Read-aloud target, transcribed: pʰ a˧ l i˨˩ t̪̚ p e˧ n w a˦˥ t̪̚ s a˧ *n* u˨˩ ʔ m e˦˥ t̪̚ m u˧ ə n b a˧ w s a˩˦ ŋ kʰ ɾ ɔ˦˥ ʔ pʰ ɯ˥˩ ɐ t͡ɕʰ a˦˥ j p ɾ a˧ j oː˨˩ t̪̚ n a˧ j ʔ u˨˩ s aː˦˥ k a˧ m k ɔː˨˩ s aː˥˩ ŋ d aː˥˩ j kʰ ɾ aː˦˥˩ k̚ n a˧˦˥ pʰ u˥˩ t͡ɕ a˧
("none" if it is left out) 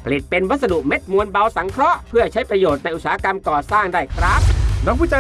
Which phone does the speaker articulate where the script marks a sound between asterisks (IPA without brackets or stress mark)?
d